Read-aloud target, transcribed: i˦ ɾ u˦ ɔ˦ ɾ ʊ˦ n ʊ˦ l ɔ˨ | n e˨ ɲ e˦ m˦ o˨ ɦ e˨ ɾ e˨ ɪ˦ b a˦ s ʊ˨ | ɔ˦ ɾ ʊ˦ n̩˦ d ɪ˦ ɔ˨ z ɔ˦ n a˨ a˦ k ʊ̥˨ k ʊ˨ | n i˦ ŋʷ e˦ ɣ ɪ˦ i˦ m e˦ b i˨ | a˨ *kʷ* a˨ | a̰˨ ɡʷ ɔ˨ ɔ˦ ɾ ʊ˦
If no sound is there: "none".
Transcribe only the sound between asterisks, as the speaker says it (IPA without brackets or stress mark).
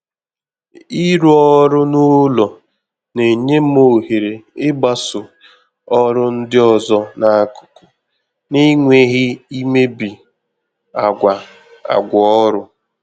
ɡʷ